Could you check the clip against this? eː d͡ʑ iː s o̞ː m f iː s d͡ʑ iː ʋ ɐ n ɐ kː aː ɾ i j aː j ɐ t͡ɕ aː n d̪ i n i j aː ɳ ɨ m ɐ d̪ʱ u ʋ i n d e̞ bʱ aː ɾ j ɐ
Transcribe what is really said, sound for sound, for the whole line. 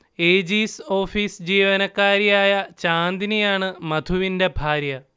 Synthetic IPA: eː d͡ʑ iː s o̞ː f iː s d͡ʑ iː ʋ ɐ n ɐ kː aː ɾ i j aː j ɐ t͡ɕ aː n d̪ i n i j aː ɳ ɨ m ɐ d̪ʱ u ʋ i n d e̞ bʱ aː ɾ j ɐ